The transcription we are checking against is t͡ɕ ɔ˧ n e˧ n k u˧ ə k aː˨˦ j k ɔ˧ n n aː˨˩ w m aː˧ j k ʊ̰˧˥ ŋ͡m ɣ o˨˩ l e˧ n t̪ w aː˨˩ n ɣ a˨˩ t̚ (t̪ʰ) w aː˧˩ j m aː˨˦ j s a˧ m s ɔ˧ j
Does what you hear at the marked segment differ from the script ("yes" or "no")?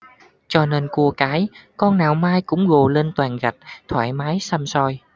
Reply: no